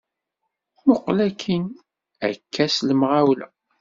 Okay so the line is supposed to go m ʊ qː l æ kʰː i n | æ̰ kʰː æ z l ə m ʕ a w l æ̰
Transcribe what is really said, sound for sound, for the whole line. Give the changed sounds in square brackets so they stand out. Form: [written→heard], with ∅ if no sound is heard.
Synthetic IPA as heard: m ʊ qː l æ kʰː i n | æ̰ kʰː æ [z→s] l ə m [ʕ→ʁ] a w l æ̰